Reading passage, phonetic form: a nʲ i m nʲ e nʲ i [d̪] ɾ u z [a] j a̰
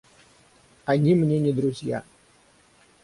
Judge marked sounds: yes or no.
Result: yes, no

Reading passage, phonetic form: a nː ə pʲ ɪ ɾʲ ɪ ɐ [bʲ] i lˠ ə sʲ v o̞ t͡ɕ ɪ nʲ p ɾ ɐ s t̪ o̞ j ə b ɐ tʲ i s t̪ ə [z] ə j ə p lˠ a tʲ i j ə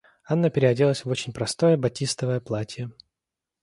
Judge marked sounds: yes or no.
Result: no, no

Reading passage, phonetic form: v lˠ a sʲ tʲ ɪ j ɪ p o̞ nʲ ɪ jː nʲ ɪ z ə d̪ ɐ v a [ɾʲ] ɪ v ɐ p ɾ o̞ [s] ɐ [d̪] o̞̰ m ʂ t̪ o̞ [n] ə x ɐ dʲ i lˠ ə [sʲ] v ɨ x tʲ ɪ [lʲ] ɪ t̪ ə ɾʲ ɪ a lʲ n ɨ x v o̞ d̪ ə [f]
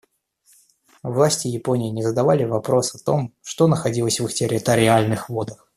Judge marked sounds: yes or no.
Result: no, yes, no, yes, yes, no, no

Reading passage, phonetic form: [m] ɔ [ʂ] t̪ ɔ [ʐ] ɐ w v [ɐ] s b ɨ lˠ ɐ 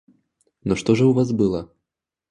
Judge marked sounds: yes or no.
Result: no, yes, yes, no

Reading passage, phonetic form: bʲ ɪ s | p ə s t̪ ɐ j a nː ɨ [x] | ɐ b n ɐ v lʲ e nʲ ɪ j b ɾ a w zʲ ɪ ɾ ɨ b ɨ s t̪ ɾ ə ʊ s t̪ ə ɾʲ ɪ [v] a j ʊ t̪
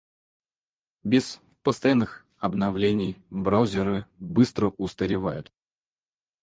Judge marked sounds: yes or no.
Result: yes, yes

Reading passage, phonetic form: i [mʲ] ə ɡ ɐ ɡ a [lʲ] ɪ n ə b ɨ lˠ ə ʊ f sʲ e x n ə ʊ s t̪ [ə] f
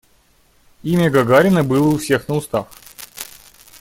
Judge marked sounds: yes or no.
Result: yes, no, no

